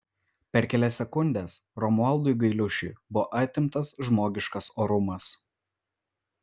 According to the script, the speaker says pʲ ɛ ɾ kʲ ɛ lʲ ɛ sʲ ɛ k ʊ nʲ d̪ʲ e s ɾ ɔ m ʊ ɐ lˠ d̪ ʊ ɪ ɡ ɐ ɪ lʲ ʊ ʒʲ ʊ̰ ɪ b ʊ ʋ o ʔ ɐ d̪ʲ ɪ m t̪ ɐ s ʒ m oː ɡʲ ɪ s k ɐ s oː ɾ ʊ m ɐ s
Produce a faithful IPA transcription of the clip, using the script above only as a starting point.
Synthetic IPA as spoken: pʲ ɛ ɾ kʲ ɛ lʲ ɛ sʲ ɛ k ʊ nʲ d̪ʲ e s ɾ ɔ m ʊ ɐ lˠ d̪ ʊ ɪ ɡ ɐ ɪ lʲ ʊ ʃʲ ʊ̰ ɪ b ʊ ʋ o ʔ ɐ t̪ʲ ɪ m t̪ ɐ s ʒ m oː ɡʲ ɪ ʃ k ɐ s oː ɾ ʊ m ɐ s